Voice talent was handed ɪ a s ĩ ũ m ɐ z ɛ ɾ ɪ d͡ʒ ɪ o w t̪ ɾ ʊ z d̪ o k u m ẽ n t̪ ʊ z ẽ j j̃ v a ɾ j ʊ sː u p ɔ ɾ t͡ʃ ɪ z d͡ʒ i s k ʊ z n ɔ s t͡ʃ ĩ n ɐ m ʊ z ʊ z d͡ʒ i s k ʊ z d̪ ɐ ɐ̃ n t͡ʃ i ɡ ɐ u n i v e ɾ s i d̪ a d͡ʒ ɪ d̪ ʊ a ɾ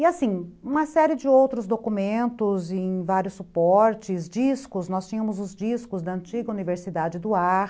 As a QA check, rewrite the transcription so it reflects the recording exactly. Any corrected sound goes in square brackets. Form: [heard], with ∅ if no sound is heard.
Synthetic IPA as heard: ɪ a s ĩ ũ m ɐ [s] ɛ ɾ ɪ d͡ʒ ɪ o w t̪ ɾ ʊ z d̪ o k u m ẽ n t̪ ʊ z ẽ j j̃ v a ɾ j ʊ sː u p ɔ ɾ t͡ʃ ɪ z d͡ʒ i s k ʊ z n ɔ s t͡ʃ ĩ [ɲ] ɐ m ʊ z ʊ z d͡ʒ i s k ʊ z d̪ ɐ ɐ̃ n t͡ʃ i ɡ ɐ u n i v e ɾ s i d̪ a d͡ʒ ɪ d̪ ʊ a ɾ

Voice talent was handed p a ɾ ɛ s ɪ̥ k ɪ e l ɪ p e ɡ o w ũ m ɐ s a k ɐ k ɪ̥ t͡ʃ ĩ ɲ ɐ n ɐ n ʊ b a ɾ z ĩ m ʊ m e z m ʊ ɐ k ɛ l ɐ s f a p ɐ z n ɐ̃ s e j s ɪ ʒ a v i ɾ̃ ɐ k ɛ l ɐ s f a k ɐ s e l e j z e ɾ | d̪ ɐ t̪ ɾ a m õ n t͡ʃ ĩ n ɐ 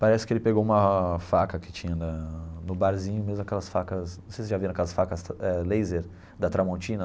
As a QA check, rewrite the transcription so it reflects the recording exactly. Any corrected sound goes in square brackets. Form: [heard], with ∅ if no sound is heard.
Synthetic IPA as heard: p a ɾ ɛ s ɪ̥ k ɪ e l ɪ p e ɡ o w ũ m ɐ [f] a k ɐ k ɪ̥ t͡ʃ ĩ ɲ ɐ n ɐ n ʊ b a ɾ z ĩ [ɲ] ʊ m e z m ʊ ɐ k ɛ l ɐ s f a [k] ɐ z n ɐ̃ s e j s ɪ ʒ a v i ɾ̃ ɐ k ɛ l ɐ s f a k ɐ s [ɛ] l e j z e ɾ | d̪ ɐ t̪ ɾ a m õ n t͡ʃ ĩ n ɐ

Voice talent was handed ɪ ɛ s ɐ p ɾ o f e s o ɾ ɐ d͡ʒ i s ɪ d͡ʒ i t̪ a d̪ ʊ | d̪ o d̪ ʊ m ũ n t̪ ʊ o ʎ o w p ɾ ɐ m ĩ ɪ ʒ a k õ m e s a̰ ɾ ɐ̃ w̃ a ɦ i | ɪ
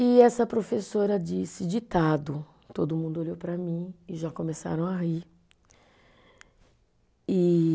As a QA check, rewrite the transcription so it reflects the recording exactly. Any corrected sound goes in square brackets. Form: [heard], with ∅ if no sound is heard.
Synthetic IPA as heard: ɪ ɛ s ɐ p ɾ o f e s o ɾ ɐ d͡ʒ i s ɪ d͡ʒ i t̪ a d̪ ʊ | [t̪] o d̪ ʊ m ũ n [d̪] ʊ o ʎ o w p ɾ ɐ m ĩ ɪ ʒ a k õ m e s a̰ ɾ ɐ̃ w̃ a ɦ i | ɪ

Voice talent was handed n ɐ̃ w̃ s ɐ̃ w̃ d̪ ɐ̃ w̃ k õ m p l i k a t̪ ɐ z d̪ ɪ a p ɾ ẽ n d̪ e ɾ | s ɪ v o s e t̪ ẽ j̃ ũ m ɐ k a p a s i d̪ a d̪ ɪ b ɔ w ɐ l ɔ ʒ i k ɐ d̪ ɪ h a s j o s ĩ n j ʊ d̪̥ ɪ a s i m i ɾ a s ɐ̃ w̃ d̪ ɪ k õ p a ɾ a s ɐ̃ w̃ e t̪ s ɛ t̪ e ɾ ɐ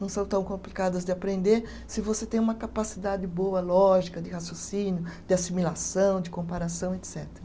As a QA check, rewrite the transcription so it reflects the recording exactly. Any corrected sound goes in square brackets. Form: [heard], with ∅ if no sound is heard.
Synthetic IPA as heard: n ɐ̃ w̃ s ɐ̃ w̃ [t̪] ɐ̃ w̃ k õ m p l i k a [d̪] ɐ z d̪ ɪ a p ɾ ẽ n d̪ e ɾ | s ɪ v o s e t̪ ẽ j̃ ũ m ɐ k a p a s i d̪ a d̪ ɪ b [o] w ɐ l ɔ ʒ i k ɐ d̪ ɪ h a s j o s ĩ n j ʊ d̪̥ ɪ a s i m i [l] a s ɐ̃ w̃ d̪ ɪ k õ p a ɾ a s ɐ̃ w̃ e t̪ s ɛ t̪ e ɾ ɐ

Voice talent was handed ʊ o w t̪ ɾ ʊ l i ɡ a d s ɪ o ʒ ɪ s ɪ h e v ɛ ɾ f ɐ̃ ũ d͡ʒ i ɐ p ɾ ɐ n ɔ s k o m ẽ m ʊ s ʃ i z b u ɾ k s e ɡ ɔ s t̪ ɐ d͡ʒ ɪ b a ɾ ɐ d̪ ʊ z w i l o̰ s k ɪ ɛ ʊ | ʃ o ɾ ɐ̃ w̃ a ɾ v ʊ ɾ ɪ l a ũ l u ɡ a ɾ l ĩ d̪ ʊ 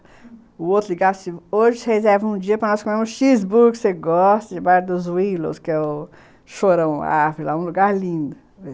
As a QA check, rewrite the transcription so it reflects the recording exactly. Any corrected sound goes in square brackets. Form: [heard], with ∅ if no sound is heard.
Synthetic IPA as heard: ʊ o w t̪ ɾ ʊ l i ɡ a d s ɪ o ʒ ɪ s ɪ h e [z] ɛ ɾ [v] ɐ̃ ũ d͡ʒ i ɐ p ɾ ɐ n ɔ s k o m ẽ m ʊ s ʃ i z b u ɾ k s e ɡ ɔ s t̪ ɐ d͡ʒ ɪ b a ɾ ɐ d̪ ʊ z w i l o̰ s k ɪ ɛ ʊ | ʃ o ɾ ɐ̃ w̃ a ɾ v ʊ ɾ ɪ l a ũ l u ɡ a ɾ l ĩ d̪ ʊ

